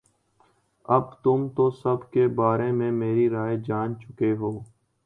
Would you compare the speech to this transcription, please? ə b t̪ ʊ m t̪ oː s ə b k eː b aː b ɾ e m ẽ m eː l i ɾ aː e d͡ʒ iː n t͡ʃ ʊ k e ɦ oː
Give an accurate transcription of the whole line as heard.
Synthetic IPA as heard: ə b t̪ ʊ m t̪ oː s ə b k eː b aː ɾ e m ẽ m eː ɾ i ɾ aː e d͡ʒ aː n t͡ʃ ʊ k e ɦ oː